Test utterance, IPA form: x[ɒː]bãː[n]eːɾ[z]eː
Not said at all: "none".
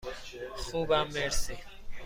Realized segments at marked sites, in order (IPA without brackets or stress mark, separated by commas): uː, m, s